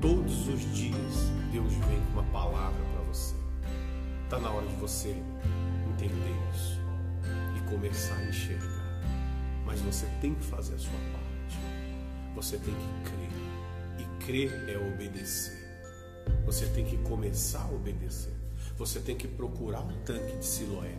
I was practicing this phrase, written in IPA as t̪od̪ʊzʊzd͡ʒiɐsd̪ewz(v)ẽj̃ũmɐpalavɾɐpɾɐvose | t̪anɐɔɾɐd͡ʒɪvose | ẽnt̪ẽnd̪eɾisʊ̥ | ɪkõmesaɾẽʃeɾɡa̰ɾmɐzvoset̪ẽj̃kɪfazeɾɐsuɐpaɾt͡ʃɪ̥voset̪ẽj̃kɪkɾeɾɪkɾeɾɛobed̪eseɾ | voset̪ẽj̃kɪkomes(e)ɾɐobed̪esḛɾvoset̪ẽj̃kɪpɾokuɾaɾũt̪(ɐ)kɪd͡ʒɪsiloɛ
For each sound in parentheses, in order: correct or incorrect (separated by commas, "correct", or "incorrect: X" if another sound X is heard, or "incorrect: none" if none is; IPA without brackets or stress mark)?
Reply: correct, incorrect: a, incorrect: ɐ̃